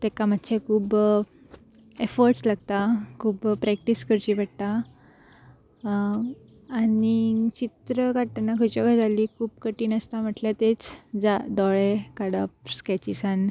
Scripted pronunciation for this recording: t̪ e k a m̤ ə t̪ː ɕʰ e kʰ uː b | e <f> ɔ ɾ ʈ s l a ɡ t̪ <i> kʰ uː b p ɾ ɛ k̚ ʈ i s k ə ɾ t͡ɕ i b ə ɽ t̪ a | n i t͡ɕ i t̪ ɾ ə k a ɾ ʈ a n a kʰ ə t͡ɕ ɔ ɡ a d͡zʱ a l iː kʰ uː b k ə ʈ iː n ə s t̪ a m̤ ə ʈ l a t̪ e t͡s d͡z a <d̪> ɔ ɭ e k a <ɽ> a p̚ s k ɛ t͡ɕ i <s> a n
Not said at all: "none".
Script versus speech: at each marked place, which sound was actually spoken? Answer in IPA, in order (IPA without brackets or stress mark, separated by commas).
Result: f, a, d̪, ɽ, s